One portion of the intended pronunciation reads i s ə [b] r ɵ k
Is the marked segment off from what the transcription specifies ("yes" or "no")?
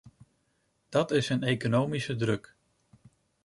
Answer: yes